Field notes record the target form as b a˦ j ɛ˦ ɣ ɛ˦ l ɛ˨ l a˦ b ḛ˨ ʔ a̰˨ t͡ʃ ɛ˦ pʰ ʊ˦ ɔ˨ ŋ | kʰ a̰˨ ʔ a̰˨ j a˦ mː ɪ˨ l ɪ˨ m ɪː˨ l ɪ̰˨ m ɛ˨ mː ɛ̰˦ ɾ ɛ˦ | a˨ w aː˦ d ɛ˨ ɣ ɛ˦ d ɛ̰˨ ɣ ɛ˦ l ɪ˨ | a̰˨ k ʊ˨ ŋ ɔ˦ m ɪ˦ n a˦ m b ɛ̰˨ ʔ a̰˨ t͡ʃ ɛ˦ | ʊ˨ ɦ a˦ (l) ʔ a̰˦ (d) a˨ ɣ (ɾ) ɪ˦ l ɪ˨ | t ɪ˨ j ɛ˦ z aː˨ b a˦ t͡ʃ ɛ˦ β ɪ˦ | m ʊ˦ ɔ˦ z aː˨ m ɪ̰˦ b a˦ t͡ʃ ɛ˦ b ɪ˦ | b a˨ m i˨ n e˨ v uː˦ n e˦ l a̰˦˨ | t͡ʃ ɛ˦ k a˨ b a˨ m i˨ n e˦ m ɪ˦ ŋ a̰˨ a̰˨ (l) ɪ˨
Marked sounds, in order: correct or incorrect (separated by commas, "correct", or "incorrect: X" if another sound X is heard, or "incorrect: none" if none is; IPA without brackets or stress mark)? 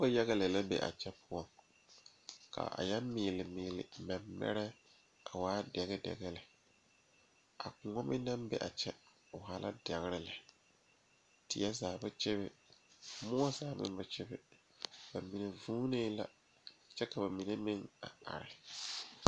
correct, correct, correct, incorrect: ɾ